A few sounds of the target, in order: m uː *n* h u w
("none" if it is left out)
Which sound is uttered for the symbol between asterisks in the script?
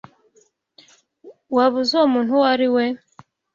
n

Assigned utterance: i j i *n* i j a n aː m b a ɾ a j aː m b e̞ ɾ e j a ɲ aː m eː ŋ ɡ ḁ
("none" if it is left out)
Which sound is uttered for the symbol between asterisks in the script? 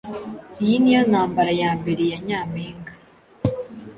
n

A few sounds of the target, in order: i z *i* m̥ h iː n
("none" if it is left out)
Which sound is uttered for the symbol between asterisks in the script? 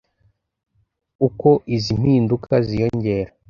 i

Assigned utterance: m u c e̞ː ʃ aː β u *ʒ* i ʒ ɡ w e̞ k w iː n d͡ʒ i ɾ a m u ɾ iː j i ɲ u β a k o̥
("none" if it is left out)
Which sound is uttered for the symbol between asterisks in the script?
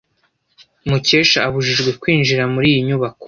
ʒ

